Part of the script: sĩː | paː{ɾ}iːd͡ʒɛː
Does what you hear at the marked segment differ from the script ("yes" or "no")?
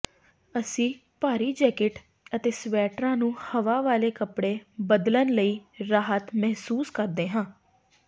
no